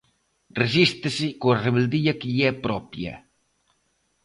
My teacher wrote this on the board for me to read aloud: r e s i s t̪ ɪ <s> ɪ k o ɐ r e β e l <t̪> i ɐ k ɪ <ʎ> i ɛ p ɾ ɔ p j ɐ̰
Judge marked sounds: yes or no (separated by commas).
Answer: yes, no, yes